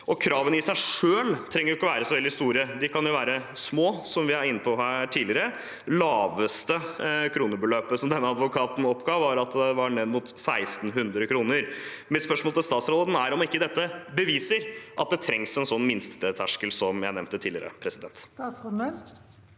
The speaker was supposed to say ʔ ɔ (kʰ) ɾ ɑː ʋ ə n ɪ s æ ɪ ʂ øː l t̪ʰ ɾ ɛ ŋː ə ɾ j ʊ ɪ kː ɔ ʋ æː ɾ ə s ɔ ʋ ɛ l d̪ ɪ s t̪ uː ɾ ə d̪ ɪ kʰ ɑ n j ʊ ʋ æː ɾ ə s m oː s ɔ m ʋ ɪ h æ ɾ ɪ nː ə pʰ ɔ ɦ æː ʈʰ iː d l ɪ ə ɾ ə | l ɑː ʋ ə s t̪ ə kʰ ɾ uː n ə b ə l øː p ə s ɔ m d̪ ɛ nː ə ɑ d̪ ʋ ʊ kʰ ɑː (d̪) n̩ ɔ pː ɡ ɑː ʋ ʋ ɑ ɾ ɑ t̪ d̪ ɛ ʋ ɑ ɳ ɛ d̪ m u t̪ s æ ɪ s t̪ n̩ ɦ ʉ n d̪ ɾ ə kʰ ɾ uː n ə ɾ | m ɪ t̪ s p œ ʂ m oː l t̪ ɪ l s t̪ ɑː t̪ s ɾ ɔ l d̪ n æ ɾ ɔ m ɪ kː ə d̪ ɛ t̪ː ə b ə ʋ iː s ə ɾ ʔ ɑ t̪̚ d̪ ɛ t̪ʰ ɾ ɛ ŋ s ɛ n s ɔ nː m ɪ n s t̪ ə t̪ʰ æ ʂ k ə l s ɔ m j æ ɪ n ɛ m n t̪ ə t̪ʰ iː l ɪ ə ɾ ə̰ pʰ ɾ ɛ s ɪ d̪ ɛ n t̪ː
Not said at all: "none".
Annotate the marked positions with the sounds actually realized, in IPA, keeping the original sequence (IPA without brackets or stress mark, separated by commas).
kʰ, t̪